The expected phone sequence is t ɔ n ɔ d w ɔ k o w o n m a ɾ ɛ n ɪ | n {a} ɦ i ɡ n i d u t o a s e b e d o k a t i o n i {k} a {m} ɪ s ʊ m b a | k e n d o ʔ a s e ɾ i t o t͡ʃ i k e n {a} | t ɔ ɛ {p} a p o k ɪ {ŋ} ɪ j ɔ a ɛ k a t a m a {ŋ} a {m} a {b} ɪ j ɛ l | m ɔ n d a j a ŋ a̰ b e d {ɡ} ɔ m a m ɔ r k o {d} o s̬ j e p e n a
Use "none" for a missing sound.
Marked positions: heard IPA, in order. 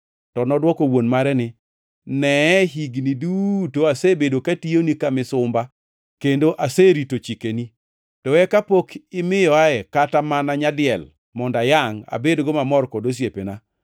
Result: ɛ, k, m, i, k, m, n, ɲ, d, ɡ, d

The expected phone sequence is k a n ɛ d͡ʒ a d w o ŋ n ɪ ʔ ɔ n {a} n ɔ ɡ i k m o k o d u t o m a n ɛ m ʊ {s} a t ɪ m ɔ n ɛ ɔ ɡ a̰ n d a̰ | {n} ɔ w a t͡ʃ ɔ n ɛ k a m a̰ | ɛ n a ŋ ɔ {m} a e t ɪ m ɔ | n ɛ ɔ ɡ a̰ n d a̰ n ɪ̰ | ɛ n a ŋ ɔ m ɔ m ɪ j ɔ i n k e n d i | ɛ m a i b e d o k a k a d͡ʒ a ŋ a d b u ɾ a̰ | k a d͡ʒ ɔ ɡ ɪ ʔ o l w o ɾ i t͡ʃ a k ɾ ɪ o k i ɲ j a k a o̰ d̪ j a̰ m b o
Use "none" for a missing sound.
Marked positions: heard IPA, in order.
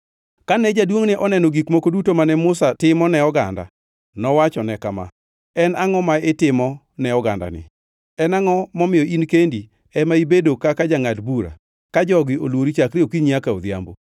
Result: ɛ, s, n, m

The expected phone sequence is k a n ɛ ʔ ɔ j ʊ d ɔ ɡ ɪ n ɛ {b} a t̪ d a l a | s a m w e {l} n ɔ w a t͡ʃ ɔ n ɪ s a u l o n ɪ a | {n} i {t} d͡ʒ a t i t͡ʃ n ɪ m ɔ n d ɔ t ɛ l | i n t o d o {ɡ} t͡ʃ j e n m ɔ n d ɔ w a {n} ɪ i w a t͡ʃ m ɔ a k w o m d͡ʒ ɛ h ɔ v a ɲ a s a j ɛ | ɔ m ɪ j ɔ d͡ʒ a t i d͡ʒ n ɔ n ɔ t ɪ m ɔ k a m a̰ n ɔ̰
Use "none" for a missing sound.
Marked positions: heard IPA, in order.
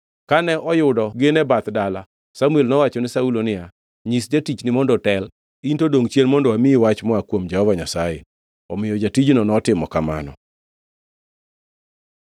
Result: b, l, ɲ, s, ŋ, m

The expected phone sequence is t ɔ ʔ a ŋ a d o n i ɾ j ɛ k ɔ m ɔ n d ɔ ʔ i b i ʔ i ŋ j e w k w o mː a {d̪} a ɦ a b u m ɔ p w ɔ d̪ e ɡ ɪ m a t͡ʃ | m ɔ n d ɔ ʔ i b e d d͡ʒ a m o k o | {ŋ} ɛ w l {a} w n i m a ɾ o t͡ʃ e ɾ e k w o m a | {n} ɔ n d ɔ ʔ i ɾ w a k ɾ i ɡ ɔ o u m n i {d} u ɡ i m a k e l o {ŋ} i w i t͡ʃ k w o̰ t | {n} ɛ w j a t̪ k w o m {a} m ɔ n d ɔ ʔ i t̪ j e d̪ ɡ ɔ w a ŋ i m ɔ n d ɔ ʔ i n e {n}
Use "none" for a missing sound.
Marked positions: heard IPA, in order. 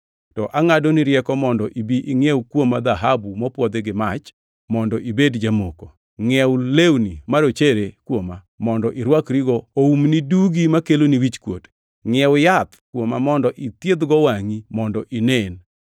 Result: d̪, ŋ, e, m, d, n, ŋ, a, n

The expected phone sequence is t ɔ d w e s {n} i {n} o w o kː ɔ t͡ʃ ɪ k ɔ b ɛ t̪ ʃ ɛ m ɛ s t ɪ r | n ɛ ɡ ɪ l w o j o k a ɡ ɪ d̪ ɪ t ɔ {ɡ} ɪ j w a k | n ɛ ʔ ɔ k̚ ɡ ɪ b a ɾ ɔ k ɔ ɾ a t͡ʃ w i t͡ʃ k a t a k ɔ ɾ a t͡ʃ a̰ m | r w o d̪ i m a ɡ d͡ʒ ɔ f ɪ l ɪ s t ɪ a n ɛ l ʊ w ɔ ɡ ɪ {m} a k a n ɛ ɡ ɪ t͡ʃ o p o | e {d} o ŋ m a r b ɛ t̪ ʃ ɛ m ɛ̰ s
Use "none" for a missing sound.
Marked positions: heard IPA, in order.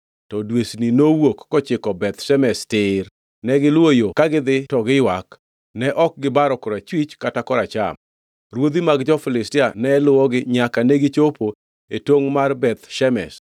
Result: n, n, ɡ, ɲ, t

